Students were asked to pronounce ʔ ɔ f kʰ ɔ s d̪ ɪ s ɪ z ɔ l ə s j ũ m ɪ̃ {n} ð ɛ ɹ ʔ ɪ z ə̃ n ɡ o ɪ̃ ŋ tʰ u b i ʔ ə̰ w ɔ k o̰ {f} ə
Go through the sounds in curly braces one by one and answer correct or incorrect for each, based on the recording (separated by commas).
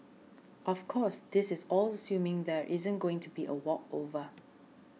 incorrect, incorrect